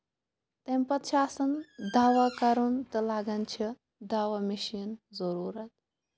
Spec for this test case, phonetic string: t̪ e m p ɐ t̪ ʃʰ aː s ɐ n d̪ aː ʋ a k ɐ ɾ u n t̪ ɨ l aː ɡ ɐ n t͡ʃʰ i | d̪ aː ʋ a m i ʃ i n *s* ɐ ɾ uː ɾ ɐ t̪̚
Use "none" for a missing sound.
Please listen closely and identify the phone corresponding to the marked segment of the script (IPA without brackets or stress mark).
z